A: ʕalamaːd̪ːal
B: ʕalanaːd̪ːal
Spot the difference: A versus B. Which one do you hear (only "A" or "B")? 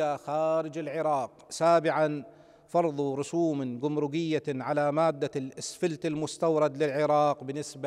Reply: A